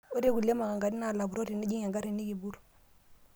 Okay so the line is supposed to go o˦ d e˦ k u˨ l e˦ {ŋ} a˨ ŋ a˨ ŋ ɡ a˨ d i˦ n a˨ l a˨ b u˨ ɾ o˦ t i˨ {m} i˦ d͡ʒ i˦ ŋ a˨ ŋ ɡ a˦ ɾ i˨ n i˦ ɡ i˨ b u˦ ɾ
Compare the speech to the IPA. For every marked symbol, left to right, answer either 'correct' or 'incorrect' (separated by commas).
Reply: incorrect, incorrect